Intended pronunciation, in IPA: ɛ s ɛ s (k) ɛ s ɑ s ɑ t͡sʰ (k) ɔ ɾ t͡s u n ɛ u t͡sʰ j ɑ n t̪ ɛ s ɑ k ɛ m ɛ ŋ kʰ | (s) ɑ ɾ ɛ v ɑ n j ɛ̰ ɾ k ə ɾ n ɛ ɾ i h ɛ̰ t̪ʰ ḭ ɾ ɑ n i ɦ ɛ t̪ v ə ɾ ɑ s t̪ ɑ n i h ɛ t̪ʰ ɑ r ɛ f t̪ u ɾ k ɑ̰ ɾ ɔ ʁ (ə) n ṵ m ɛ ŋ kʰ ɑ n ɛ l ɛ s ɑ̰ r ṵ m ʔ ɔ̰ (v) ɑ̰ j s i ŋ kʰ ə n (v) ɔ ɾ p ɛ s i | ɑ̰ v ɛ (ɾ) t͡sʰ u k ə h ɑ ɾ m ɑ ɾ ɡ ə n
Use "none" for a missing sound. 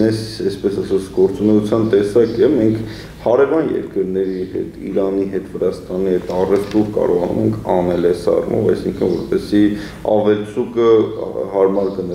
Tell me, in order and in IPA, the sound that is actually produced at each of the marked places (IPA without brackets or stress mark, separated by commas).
p, ɡ, h, ɑ, v, v, l